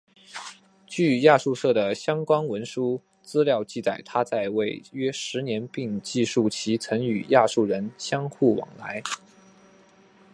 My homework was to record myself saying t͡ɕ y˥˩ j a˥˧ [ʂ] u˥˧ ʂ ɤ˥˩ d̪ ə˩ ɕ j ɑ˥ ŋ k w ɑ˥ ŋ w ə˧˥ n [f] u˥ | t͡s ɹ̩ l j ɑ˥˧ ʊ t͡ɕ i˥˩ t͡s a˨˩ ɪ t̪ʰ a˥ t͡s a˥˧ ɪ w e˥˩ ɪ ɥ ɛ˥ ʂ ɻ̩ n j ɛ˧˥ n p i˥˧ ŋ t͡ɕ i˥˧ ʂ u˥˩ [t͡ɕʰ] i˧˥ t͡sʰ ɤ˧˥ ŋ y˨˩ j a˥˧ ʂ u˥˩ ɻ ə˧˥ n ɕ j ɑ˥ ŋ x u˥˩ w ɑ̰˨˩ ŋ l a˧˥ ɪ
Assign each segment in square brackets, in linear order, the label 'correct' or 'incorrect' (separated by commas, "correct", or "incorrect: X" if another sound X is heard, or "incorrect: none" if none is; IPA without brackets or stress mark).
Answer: correct, incorrect: ʂ, correct